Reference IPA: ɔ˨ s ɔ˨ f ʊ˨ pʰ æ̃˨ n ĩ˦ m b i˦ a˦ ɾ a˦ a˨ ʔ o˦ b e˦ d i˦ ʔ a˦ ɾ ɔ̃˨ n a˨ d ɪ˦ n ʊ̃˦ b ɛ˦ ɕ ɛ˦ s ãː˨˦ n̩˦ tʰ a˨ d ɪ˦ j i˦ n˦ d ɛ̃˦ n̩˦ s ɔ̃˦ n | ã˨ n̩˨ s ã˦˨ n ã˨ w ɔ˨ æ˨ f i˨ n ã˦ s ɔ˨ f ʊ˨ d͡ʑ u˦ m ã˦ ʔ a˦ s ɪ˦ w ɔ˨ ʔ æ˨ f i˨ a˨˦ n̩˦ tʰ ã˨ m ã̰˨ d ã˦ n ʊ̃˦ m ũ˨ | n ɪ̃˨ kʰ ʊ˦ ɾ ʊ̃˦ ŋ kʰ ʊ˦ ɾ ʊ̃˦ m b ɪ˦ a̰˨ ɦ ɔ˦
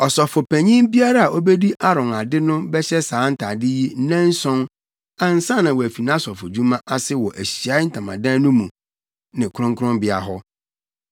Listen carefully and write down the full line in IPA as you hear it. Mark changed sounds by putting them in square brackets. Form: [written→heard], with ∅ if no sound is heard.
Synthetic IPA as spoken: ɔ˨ s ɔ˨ f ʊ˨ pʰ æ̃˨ [n→ɲ] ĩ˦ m b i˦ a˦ ɾ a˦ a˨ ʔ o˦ b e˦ d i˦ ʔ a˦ ɾ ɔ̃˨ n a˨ d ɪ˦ n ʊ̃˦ b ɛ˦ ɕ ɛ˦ s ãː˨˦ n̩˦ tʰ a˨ d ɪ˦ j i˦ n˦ [d→n] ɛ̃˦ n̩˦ s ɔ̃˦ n | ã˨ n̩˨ s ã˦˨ n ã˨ w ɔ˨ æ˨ f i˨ n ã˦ s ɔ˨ f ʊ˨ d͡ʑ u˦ m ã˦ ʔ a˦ s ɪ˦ w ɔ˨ ʔ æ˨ [f→ɕ] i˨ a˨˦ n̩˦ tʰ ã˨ m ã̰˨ d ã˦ n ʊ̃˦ m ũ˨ | n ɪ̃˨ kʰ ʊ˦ ɾ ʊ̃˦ ŋ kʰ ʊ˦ ɾ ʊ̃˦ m b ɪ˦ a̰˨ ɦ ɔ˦

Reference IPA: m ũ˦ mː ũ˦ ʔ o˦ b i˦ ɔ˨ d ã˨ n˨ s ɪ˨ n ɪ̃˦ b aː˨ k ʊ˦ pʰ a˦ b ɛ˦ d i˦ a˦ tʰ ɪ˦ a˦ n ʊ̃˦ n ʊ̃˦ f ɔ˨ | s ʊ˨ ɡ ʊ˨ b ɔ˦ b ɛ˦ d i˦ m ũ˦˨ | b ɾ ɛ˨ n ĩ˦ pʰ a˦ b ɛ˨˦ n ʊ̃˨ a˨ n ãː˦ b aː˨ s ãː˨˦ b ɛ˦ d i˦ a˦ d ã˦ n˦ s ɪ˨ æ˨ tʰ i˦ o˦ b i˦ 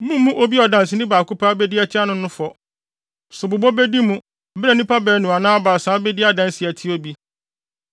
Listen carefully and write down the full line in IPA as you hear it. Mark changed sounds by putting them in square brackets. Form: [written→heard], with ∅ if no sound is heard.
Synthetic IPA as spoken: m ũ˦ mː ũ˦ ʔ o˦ b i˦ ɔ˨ d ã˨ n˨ s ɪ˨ n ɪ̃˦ b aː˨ k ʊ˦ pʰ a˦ b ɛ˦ d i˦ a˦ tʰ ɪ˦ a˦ n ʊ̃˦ n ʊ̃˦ f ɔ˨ | s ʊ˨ [ɡ→b] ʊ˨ b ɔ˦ b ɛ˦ d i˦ m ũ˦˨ | b ɾ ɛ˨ n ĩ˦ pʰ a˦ b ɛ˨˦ n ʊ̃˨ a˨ n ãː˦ b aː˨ s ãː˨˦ b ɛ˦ d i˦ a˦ d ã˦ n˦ s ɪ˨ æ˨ tʰ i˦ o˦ b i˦

